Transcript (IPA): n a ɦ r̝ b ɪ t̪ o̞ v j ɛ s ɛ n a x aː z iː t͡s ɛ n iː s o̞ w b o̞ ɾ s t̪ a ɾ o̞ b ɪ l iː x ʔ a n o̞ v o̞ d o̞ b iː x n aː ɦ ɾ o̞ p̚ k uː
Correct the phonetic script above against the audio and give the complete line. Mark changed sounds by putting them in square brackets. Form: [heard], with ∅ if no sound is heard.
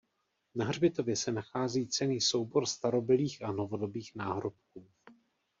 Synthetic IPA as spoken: n a ɦ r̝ b ɪ t̪ o̞ v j ɛ s ɛ n a x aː z iː t͡s ɛ n iː s o̞ w b o̞ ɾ s t̪ a ɾ o̞ b ɪ l iː x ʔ a n o̞ v o̞ d o̞ b iː x n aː ɦ ɾ o̞ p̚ k uː